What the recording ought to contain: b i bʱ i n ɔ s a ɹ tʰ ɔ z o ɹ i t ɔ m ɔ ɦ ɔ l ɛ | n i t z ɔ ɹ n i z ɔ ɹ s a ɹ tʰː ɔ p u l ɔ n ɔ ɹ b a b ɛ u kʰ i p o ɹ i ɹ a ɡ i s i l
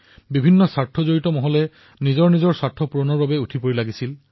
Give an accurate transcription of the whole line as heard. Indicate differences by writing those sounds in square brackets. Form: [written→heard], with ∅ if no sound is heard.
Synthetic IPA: b i bʱ i [n→nː] ɔ s a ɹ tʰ ɔ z o ɹ i t ɔ m ɔ ɦ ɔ l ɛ | n i [t→∅] z ɔ ɹ n i z ɔ ɹ s a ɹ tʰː ɔ p u [l→ɹ] ɔ n ɔ ɹ b a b ɛ u [kʰ→tʰ] i p o ɹ i [ɹ→l] a ɡ i s i l